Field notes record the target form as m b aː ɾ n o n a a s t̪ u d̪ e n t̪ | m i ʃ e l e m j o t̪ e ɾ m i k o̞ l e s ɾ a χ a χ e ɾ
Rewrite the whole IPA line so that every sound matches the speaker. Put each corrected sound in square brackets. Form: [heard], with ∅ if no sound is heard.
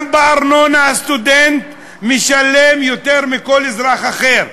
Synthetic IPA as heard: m b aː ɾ n o n a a s t̪ u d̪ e n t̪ | m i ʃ [a] l e m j o t̪ e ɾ m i k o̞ l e [z] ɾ a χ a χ e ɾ